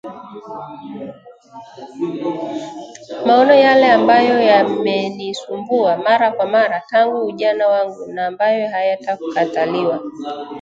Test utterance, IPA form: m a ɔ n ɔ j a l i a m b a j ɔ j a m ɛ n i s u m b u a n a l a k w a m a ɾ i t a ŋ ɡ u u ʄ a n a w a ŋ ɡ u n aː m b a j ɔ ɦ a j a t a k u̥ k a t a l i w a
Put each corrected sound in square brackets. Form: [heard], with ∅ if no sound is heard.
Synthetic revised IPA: m a ɔ n ɔ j a l [ɛ] a m b a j ɔ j a m ɛ n i s u m b u a [m] a [ɾ] a k w a m a ɾ [a] t a ŋ ɡ u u ʄ a n a w a ŋ ɡ u n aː m b a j ɔ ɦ a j a t a k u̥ k a t a l i w a